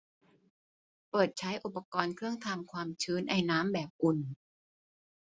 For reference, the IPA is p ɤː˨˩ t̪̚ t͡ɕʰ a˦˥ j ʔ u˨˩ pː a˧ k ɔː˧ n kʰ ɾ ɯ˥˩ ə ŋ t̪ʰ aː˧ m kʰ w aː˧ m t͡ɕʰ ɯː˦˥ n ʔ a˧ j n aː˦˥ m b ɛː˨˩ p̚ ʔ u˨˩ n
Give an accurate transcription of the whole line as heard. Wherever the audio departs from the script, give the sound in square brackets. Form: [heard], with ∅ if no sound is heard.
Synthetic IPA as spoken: p ɤː˨˩ t̪̚ t͡ɕʰ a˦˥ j ʔ u˨˩ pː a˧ k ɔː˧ n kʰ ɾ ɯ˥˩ ə ŋ t̪ʰ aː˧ m kʰ w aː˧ m t͡ɕʰ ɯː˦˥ n ʔ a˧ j n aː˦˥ m b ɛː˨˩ p̚ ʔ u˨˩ n